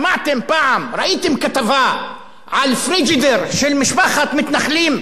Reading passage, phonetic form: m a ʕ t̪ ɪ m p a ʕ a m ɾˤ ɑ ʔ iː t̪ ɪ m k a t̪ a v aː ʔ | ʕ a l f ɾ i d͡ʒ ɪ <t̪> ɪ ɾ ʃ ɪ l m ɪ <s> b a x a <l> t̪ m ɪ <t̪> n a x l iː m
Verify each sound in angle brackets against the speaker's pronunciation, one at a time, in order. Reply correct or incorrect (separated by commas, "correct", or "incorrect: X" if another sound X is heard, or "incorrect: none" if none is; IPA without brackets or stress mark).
incorrect: d̪, incorrect: ʃ, incorrect: none, correct